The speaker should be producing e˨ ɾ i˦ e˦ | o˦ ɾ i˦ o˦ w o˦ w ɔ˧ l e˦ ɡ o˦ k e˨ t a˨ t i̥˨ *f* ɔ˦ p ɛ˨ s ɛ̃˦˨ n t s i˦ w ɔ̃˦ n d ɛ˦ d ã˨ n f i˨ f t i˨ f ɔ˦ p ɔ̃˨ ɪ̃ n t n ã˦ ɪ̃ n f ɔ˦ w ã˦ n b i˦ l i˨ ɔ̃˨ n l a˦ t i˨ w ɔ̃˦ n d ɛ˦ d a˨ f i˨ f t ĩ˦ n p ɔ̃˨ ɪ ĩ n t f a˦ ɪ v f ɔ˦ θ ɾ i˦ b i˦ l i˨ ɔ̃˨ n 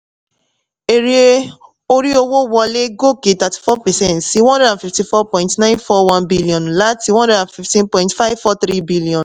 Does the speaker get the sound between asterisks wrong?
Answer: no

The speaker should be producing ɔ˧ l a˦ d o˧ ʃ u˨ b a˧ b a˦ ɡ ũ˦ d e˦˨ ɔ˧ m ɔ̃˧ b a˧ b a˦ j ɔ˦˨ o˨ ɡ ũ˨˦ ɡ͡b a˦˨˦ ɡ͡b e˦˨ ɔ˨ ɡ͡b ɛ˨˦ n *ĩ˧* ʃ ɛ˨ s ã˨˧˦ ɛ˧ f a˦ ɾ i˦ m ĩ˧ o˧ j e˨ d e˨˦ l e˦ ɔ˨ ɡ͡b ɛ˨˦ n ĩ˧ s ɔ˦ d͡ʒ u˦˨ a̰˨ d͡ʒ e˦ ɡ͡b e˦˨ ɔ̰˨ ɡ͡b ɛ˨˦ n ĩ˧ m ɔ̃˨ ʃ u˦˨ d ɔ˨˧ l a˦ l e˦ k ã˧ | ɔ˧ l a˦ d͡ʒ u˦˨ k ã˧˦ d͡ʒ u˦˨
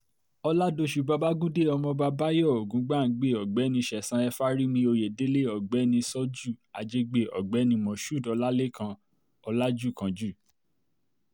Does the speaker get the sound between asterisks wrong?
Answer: no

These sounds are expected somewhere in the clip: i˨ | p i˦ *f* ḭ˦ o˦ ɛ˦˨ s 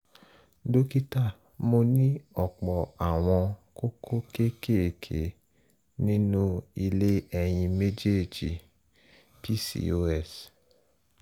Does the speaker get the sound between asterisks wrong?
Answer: yes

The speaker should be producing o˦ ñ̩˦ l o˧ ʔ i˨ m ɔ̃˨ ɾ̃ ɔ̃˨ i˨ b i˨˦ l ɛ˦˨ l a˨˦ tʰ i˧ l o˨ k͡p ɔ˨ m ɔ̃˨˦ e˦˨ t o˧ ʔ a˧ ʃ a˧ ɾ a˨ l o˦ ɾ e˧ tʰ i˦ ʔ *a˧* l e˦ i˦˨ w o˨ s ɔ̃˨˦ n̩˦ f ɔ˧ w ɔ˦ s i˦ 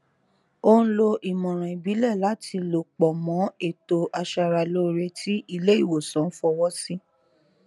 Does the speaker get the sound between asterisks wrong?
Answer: yes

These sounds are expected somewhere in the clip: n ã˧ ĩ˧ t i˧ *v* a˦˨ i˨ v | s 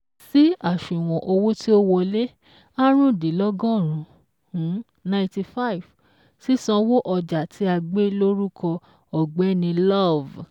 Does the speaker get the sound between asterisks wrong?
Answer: yes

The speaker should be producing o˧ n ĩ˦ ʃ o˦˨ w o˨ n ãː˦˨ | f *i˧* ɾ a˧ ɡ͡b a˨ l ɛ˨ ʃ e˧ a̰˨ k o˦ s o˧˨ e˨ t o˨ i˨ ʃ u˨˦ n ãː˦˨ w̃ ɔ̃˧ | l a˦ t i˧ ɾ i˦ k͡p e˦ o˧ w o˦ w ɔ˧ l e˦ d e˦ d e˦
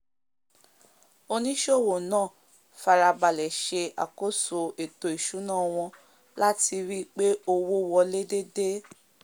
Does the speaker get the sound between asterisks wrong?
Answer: yes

